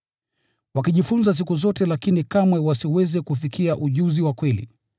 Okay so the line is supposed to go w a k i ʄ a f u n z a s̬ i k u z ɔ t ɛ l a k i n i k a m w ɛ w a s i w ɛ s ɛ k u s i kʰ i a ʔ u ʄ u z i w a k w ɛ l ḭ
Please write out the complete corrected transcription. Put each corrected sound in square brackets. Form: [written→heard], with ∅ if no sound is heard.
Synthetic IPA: w a k i ʄ [a→i] f u n z a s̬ i k u z ɔ t ɛ l a k i n i k a m w ɛ w a s i w ɛ [s→z] ɛ k u [s→f] i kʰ i a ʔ u ʄ u z i w a k w ɛ l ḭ